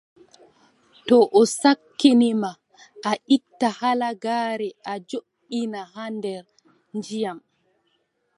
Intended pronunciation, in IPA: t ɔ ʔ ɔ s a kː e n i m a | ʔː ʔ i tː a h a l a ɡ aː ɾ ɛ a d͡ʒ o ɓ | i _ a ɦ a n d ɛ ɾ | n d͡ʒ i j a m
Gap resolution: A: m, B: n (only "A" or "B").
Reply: B